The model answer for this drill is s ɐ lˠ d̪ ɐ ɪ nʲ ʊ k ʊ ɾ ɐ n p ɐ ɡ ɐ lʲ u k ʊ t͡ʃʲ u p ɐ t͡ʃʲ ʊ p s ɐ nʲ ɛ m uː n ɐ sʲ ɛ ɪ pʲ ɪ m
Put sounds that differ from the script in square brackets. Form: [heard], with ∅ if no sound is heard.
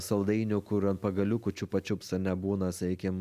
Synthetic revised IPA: s ɐ lˠ d̪ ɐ ɪ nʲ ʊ k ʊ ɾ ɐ n p ɐ ɡ ɐ lʲ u k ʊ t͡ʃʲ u p ɐ t͡ʃʲ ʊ p s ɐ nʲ ɛ [b] uː n ɐ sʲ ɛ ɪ [kʲ] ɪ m